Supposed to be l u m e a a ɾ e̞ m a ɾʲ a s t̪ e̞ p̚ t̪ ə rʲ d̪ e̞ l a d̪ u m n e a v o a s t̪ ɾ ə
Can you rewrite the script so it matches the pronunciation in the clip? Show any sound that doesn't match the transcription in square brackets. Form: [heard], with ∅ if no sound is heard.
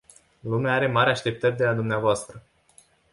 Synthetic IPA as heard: l u m e a a ɾ e̞ m a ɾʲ a [ʃ] t̪ e̞ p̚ t̪ ə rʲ d̪ e̞ l a d̪ u m n e a v o a s t̪ ɾ ə